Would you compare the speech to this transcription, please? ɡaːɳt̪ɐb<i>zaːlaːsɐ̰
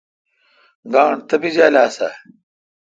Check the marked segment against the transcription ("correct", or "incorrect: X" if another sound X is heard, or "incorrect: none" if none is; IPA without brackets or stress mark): correct